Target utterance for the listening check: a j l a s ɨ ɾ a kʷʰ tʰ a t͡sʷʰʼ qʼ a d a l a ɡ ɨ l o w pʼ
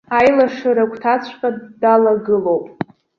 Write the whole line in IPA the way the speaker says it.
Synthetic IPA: a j l a ʂ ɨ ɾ a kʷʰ tʰ a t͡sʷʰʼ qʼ a d a l a ɡ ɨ l o w pʼ